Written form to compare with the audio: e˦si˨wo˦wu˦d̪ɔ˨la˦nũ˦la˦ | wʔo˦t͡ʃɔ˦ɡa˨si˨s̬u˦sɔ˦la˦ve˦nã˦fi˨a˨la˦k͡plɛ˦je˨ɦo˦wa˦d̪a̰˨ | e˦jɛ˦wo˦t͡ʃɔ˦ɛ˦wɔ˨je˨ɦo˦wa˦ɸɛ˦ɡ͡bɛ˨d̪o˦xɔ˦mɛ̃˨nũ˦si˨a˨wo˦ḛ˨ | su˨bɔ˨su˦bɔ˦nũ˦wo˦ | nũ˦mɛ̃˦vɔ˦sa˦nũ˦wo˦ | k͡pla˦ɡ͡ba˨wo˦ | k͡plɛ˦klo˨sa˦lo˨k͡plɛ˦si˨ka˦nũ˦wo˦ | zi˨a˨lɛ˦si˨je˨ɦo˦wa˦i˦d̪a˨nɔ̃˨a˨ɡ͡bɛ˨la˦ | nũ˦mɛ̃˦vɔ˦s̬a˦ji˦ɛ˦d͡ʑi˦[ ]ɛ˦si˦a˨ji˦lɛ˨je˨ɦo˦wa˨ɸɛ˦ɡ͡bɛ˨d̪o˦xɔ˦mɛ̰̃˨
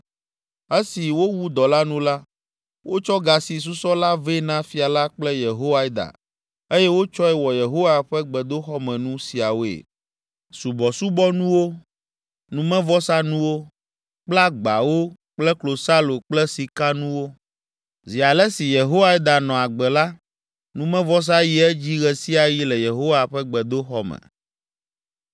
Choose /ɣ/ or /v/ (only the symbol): ɣ